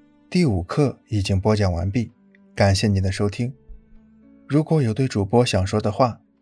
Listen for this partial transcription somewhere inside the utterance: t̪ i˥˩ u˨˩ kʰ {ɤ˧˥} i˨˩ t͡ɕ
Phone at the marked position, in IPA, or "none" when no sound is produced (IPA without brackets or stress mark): ɤ˥˩